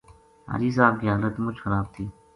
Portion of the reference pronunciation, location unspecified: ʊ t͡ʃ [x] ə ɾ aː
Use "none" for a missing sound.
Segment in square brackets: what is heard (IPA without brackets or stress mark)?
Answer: x